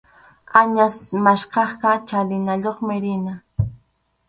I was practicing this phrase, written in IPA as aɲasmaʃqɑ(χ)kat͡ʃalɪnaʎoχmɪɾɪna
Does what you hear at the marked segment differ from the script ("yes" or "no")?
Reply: no